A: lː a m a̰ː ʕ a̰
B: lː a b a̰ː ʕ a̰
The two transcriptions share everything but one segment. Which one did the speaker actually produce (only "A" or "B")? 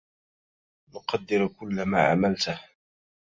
A